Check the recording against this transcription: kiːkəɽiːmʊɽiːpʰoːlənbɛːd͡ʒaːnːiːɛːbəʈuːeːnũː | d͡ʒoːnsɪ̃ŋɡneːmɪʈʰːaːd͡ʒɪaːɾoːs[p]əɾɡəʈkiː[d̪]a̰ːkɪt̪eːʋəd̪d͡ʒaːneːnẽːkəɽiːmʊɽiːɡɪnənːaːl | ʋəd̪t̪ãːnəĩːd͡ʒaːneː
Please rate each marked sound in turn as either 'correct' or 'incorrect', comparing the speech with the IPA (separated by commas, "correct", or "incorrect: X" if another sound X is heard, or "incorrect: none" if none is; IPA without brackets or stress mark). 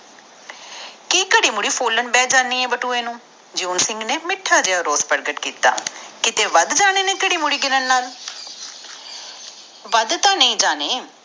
correct, incorrect: t̪